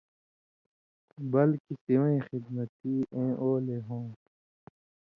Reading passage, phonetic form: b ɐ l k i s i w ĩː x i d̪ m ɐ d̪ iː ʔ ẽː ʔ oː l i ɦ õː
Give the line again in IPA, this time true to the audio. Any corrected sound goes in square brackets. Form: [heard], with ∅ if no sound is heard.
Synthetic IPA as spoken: b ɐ l k i s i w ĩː x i d̪ m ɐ [t̪] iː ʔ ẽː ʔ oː l [e] ɦ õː